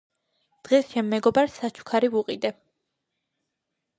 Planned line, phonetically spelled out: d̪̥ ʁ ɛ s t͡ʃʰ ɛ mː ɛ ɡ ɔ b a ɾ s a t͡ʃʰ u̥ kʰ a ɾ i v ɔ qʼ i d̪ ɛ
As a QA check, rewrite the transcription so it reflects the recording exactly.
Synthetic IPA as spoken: d̪̥ ʁ ɛ s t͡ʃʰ ɛ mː ɛ ɡ ɔ b a ɾ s a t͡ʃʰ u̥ kʰ a ɾ i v u qʼ i d̪ ɛ